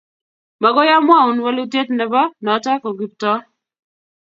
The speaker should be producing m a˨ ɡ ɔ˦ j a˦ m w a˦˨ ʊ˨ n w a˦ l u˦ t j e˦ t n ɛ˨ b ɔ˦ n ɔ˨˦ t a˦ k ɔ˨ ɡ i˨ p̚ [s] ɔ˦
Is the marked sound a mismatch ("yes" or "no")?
yes